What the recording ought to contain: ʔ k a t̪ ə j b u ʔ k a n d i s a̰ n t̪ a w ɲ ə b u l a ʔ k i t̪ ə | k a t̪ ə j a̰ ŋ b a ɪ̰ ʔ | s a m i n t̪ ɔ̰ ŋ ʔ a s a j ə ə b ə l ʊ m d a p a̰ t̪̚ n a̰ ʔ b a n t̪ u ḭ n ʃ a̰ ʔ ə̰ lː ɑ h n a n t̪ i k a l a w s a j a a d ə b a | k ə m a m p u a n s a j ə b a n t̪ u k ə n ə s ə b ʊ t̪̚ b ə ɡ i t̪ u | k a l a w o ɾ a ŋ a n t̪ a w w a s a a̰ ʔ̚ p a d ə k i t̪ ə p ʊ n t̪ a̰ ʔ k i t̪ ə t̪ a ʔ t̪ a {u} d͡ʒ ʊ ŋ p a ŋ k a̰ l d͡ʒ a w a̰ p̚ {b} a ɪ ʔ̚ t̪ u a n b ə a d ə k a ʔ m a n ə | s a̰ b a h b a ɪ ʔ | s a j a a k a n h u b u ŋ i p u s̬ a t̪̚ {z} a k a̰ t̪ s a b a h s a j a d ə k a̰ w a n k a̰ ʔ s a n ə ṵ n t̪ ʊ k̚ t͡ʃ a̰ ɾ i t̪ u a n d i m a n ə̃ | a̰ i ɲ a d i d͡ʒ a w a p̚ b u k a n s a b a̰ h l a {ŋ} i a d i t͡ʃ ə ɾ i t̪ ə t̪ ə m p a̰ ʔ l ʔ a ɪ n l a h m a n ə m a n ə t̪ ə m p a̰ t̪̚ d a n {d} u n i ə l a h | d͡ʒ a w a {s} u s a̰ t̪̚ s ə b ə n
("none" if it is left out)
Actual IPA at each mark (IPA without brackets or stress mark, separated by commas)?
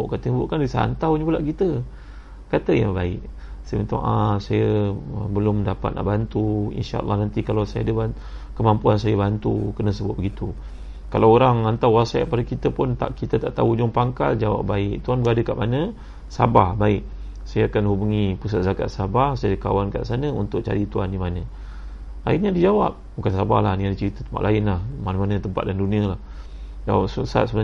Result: u, b, z, n, d, s